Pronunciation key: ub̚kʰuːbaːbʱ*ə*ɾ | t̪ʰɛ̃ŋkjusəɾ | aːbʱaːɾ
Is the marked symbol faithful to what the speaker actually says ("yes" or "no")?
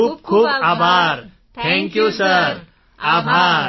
no